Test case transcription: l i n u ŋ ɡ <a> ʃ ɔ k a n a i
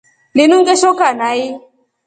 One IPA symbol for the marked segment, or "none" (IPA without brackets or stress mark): ɛ